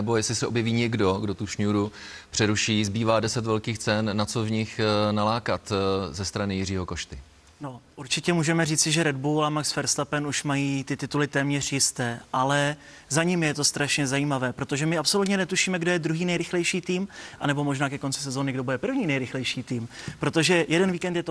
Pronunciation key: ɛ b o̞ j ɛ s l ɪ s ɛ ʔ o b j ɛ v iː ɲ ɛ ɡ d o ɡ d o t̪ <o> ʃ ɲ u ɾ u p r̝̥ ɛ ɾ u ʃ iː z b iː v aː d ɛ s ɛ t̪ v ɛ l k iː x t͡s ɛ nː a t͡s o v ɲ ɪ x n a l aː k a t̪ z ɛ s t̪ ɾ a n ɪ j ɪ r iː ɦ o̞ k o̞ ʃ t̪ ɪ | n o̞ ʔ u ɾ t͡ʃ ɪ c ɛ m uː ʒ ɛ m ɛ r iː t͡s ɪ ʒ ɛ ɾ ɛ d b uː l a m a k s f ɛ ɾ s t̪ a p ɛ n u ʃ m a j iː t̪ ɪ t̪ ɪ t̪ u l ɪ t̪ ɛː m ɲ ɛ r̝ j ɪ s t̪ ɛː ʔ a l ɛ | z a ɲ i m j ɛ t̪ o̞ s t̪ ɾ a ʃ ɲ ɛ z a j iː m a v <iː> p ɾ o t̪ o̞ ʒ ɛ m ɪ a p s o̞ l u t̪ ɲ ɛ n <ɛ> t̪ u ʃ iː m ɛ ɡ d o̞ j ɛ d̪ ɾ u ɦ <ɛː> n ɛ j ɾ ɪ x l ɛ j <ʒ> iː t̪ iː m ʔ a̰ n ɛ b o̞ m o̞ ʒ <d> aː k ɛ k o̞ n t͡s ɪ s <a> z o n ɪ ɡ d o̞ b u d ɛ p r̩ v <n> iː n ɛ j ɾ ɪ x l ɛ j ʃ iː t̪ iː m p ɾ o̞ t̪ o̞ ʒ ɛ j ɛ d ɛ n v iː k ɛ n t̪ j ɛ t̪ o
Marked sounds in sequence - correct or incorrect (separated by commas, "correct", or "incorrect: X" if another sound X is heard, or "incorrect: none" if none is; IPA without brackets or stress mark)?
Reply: incorrect: u, incorrect: ɛː, correct, incorrect: iː, incorrect: ʃ, incorrect: n, incorrect: ɛ, incorrect: ɲ